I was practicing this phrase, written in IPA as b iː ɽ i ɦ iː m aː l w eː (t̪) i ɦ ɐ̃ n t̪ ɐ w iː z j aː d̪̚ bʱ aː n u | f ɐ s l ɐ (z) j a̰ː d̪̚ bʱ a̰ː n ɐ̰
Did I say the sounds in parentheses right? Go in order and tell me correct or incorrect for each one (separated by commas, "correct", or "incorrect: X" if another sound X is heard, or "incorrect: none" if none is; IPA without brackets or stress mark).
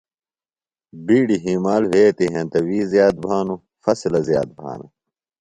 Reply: correct, correct